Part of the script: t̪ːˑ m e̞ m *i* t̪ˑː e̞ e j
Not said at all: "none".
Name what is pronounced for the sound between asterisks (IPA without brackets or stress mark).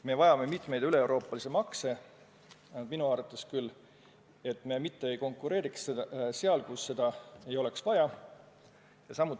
i